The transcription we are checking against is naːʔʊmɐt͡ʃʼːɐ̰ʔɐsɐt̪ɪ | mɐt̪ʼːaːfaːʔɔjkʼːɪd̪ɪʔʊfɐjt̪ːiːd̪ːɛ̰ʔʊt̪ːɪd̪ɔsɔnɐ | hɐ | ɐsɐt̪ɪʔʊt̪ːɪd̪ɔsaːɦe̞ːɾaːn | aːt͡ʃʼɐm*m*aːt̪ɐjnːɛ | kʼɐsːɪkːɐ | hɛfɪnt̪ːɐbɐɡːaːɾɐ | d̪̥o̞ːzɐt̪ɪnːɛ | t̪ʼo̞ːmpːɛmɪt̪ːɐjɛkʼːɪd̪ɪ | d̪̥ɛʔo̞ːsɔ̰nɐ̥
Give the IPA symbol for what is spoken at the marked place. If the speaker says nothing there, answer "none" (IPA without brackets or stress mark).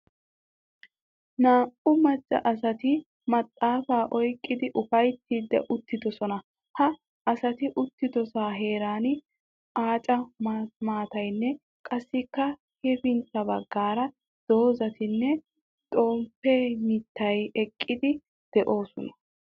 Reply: m